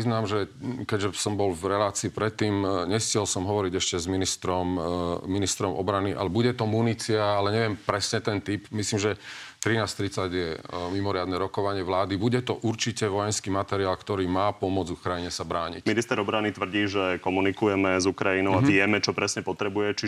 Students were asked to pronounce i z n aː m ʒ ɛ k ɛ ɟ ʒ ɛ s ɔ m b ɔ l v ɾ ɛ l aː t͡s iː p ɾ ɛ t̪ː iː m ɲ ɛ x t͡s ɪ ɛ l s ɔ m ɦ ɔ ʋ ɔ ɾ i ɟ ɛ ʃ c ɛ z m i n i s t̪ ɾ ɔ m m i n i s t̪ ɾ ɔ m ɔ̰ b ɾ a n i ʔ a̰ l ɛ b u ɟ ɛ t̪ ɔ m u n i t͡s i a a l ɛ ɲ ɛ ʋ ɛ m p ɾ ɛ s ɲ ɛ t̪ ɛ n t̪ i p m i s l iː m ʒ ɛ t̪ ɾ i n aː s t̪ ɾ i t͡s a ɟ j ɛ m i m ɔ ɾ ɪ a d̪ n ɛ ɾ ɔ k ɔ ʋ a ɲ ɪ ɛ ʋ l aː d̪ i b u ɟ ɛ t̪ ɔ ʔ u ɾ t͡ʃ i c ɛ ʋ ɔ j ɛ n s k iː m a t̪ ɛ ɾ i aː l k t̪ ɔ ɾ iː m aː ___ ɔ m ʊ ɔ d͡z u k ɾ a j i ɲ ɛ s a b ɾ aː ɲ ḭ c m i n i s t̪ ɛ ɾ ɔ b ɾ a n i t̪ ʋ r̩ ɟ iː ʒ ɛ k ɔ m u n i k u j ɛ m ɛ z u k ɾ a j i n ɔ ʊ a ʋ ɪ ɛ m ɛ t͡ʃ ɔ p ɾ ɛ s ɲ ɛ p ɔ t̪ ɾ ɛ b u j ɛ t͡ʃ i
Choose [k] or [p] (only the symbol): p